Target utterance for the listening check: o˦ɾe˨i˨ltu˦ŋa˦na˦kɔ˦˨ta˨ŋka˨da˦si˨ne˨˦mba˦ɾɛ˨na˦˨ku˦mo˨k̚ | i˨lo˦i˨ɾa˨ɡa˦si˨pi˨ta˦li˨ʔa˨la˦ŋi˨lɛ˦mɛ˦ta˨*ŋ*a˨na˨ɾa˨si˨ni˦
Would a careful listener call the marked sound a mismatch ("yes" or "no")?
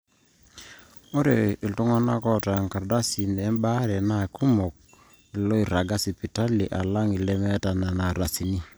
yes